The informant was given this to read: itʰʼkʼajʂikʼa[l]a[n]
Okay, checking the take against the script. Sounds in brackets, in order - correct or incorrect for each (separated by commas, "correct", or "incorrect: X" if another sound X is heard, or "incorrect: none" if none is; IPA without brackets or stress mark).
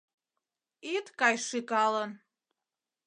correct, correct